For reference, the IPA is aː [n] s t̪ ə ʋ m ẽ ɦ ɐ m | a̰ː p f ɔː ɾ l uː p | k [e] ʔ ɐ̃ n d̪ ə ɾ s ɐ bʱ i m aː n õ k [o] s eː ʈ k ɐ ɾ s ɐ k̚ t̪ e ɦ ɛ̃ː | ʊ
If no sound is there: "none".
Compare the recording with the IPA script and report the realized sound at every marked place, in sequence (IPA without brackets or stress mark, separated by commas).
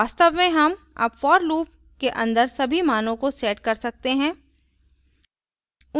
none, e, o